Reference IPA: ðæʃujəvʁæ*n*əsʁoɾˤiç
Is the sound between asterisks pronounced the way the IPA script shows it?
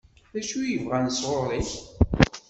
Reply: yes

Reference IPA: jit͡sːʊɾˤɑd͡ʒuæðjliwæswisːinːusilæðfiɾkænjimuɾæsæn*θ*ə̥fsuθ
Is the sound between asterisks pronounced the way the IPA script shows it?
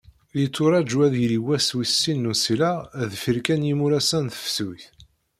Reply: yes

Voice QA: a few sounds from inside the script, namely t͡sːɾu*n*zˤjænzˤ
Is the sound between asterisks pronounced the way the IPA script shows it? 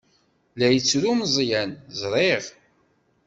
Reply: no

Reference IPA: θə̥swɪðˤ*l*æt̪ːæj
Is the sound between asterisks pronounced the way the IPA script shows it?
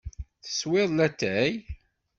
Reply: yes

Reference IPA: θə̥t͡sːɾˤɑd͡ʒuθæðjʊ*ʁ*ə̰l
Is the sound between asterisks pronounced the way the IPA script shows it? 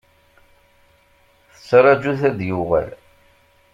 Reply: yes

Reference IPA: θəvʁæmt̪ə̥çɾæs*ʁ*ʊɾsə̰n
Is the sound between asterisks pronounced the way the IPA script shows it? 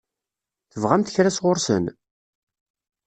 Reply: yes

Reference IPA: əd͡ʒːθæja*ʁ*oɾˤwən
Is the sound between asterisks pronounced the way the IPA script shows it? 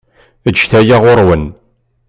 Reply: yes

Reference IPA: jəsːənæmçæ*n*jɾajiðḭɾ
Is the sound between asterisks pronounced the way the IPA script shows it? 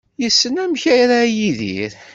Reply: no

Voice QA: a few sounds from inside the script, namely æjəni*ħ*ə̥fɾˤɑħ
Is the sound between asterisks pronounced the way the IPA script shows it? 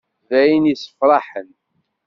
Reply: no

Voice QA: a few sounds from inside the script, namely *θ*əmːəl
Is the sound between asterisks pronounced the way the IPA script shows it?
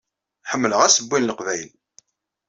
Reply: no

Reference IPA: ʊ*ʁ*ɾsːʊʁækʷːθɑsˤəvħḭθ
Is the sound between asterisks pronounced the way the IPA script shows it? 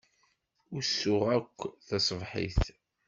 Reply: no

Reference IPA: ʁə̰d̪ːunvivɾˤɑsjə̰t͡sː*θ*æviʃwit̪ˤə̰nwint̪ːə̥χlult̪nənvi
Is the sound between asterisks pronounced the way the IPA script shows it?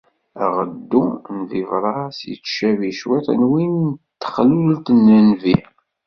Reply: no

